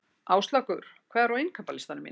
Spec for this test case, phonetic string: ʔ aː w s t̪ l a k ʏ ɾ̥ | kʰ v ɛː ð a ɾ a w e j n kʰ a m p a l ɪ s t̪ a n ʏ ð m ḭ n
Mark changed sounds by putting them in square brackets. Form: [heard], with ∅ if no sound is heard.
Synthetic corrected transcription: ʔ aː w s t̪ l a k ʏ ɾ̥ | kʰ v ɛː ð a ɾ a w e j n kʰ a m p a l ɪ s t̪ a n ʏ [∅] m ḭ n

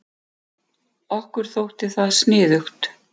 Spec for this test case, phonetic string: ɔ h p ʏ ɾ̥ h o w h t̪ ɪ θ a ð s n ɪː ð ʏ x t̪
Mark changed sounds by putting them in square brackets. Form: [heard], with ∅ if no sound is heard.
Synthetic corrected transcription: ɔ h [k] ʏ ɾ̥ [θ] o w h t̪ ɪ θ a ð s n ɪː ð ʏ x t̪

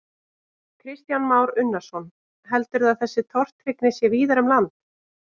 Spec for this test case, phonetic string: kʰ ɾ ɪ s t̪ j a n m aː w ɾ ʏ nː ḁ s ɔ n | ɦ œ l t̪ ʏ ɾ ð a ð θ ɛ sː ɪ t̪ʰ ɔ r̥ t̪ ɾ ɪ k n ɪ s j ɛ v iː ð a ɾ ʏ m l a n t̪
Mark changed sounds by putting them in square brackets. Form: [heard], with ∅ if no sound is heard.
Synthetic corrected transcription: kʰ ɾ ɪ s t̪ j a n m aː w ɾ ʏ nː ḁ s ɔ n | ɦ [ɛ] l t̪ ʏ ɾ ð a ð θ ɛ sː ɪ t̪ʰ ɔ r̥ t̪ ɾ ɪ k n ɪ s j ɛ v iː ð a ɾ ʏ m l a n t̪

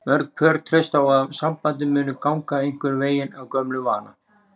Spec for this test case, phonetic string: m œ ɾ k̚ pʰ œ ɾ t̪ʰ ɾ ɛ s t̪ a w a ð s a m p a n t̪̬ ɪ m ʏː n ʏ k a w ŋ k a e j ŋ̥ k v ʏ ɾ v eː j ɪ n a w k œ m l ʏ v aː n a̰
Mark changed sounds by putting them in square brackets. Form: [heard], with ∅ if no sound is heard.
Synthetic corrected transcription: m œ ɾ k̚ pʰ œ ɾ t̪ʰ ɾ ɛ s t̪ a w a ð s a m p a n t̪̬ ɪ m ʏː n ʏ k a w ŋ k a e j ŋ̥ k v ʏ ɾ v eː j ɪ n a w k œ m l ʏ v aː n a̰

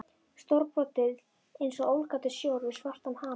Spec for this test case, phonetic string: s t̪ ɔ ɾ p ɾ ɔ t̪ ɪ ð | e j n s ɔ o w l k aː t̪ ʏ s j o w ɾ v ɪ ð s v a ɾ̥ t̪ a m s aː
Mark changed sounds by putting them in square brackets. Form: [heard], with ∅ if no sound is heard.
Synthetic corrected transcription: s t̪ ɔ ɾ p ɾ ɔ t̪ ɪ ð | e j n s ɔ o w l k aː t̪ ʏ s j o w ɾ v ɪ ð s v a [r̥] t̪ a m [h] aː

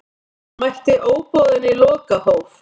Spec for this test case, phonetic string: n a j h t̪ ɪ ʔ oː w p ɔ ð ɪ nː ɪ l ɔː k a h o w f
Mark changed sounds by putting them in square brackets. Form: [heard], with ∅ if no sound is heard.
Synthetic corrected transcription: [m] a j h t̪ ɪ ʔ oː w p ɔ ð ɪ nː ɪ l ɔː k a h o w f

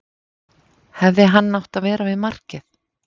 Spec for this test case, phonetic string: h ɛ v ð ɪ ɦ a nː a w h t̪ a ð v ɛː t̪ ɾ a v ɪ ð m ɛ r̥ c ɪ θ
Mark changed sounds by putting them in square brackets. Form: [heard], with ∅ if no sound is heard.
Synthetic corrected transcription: h ɛ v ð ɪ ɦ a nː a w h t̪ a ð v ɛː [∅] ɾ a v ɪ ð m [a] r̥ c ɪ θ

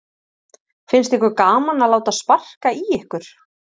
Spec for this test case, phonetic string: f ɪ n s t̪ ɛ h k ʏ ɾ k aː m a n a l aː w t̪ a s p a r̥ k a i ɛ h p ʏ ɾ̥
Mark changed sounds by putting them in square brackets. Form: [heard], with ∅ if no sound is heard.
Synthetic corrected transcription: f ɪ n s t̪ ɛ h k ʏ ɾ k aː m a n a l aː w t̪ a s p a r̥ k a i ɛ h [k] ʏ ɾ̥

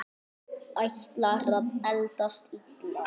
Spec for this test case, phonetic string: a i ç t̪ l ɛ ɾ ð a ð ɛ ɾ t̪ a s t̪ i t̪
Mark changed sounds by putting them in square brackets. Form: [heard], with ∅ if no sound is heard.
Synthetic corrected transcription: a [j] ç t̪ l [a] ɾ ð a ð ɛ [l] t̪ a s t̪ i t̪

